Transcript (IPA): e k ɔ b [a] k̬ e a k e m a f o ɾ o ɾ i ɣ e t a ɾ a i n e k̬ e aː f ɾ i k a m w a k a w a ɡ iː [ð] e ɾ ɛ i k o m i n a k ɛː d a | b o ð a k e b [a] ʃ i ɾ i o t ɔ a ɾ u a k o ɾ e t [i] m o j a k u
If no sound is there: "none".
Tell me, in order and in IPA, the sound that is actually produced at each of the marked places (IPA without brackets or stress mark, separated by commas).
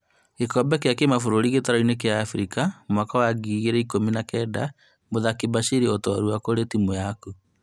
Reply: ɛ, ɣ, a, i